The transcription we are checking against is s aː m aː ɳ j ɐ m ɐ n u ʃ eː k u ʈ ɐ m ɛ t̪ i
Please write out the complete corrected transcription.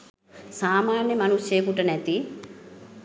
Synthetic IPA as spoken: s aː m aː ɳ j ɐ m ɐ n u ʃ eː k u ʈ ɐ n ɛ t̪ i

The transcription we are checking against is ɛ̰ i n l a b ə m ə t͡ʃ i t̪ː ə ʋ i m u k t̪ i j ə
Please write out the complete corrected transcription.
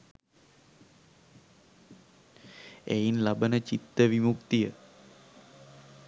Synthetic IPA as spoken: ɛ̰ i n l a b ə n ə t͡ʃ i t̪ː ə ʋ i m u k t̪ i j ə

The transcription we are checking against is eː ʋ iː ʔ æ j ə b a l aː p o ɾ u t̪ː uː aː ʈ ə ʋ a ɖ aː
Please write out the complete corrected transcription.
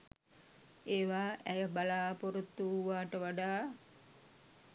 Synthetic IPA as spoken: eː ʋ aː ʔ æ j ə b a l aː p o ɾ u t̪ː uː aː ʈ ə ʋ a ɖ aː

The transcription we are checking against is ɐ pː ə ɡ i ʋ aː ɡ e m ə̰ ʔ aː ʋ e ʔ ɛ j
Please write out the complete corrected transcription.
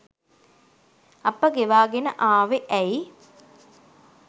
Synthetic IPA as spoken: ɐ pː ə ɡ e ʋ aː ɡ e n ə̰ ʔ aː ʋ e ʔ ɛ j

